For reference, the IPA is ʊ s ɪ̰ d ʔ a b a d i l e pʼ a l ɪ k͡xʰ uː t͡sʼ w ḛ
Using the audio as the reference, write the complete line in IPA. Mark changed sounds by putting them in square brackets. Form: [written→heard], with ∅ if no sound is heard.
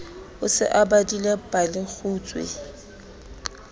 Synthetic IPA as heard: ʊ s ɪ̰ [d→∅] ʔ a b a d i l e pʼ a l ɪ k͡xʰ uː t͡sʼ w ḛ

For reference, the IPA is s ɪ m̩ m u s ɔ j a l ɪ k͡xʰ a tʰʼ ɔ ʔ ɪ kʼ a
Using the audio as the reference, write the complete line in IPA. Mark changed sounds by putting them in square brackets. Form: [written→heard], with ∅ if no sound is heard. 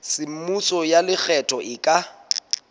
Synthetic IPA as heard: s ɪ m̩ m u s ɔ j a l ɪ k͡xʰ [a→ɛ] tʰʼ ɔ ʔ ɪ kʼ a

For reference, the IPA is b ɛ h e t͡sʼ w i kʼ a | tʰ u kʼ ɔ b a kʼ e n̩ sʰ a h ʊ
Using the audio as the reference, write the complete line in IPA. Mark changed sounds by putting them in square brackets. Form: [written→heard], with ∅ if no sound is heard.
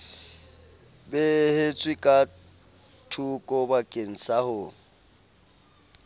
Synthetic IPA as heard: b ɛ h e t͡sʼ w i kʼ a | tʰ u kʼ ɔ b a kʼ e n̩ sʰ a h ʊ

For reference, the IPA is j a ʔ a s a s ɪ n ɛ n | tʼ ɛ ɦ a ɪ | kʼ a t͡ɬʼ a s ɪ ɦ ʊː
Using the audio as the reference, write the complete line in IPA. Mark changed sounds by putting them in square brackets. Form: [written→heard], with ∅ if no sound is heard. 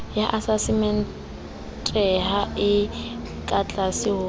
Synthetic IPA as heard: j a ʔ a s a s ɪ [n→m] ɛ n | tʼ ɛ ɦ a ɪ | kʼ a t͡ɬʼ a s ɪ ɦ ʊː

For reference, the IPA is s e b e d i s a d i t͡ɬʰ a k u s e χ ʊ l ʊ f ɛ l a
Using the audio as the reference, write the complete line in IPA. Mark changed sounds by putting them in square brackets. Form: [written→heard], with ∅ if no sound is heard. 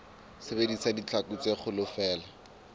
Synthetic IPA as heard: s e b e d i s a d i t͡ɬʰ a k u [s→t͡s] e χ ʊ l ʊ f [ɛ→ɛː] l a

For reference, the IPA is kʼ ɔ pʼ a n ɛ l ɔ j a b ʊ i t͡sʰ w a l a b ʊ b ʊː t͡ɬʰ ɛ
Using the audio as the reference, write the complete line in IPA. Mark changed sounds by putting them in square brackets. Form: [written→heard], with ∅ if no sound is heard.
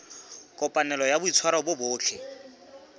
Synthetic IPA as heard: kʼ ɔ pʼ a n ɛ l ɔ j a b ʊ i t͡sʰ w a [l→ɾ] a b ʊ b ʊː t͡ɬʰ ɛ

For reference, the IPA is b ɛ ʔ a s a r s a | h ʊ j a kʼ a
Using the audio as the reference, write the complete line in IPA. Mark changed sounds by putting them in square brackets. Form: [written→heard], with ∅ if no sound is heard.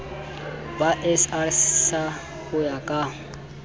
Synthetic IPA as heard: b [ɛ→a] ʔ [a→ɛ] s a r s a | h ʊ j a kʼ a

